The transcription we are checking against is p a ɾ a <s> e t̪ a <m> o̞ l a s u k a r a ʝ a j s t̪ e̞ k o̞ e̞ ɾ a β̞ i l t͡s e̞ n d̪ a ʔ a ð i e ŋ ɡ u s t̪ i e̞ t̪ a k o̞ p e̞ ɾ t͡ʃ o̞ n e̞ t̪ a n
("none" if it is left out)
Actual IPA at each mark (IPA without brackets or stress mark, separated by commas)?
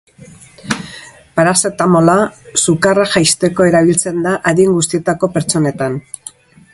s, m